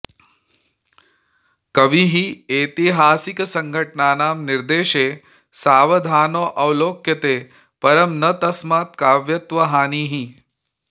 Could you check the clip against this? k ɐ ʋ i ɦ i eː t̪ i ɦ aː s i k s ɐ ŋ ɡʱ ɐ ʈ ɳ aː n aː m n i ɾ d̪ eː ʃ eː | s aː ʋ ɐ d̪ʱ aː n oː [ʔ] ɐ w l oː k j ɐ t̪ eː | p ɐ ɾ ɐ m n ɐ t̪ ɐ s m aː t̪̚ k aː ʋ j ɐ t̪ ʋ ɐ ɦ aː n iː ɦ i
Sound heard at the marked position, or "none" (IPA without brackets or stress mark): ʔ